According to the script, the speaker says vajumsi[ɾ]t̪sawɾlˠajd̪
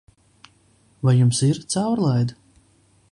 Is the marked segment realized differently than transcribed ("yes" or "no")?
no